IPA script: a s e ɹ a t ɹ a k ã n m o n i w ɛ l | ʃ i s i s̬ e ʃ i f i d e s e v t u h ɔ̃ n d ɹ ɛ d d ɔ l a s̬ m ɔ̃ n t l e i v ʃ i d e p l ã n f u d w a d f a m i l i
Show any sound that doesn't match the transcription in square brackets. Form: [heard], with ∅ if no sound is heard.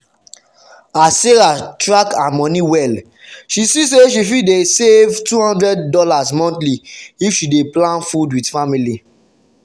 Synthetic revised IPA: a s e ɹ a t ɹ a k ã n m [ɔ] n i w ɛ l | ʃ i s i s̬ e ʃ i f i d e s e v t u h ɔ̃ n d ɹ ɛ d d ɔ l a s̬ m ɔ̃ n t l [i] i [f] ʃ i d e p l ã n f u d w [i] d f a m i l i